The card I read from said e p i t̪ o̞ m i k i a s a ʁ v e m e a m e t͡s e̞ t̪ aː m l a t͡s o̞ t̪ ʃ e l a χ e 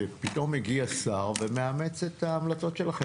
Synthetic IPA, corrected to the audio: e p i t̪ o̞ m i ɡ i a s a ʁ v e m e a m e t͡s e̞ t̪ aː m l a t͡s o̞ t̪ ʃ e l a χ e